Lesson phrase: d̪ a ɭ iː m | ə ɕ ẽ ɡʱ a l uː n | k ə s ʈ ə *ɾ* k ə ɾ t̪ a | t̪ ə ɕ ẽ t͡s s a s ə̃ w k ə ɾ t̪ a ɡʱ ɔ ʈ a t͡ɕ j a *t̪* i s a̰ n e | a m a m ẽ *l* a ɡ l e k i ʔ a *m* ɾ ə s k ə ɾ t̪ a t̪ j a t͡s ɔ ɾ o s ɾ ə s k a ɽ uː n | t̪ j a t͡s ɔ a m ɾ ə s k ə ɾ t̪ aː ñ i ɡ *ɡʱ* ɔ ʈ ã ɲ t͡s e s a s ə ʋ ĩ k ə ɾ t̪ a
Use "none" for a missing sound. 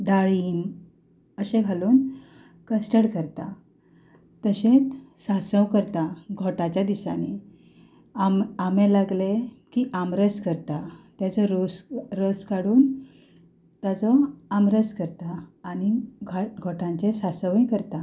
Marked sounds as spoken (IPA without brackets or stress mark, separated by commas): ɽ, d̪, l, m, ɡʱ